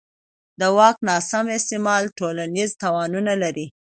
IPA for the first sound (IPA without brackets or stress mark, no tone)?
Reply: d̪